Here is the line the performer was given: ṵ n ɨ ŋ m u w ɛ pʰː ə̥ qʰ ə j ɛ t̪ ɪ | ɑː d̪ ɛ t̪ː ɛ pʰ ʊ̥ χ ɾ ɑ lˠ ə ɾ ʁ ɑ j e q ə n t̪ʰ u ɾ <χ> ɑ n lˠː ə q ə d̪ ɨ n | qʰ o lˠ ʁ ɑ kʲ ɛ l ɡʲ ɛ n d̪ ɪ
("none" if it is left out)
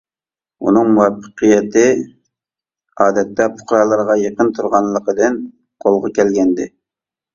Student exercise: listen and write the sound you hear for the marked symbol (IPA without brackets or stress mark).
ʁ